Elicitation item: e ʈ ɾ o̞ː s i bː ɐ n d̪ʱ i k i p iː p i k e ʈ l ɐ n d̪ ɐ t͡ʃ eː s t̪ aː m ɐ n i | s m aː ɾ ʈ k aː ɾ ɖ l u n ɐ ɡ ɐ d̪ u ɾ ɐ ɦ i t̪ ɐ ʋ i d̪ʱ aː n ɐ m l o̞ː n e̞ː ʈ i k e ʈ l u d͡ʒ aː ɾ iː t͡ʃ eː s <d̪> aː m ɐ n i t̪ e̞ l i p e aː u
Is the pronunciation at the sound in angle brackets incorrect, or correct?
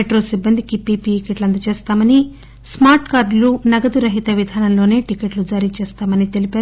incorrect